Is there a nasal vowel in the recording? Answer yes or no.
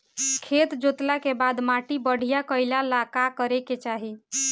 no